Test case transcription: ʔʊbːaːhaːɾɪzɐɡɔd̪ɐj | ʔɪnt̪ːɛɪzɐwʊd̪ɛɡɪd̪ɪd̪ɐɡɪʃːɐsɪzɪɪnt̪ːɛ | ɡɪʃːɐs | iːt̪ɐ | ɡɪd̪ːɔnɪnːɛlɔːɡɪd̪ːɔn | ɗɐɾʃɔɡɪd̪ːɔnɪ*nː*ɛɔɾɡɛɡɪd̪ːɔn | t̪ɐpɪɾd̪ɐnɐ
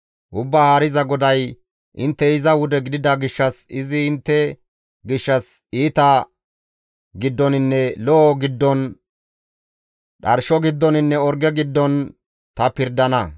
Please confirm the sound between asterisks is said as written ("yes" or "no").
yes